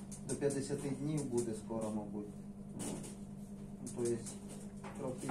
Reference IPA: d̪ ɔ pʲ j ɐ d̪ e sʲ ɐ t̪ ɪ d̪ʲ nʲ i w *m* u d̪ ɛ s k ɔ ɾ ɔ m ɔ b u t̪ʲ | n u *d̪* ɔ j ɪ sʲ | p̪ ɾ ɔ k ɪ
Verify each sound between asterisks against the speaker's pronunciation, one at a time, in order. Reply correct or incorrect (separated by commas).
incorrect, incorrect